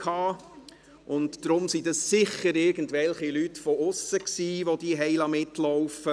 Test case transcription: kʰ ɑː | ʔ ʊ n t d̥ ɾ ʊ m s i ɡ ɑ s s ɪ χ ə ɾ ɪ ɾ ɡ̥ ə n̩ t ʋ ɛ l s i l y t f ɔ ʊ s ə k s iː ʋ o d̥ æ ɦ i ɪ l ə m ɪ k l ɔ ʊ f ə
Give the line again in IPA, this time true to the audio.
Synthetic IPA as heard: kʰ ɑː | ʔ ʊ n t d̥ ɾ ʊ m s i d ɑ s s ɪ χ ə ɾ ɪ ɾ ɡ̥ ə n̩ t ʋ ɛ l χ i l y t f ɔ ʊ s ə k s iː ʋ o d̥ i ɦ ɛ ɪ l ɑ m ɪ t l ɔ ʊ f ə